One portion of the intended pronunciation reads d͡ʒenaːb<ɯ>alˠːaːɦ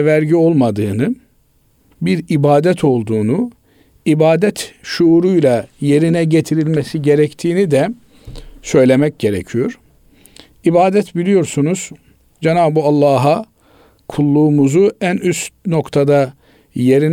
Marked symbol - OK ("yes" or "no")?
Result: no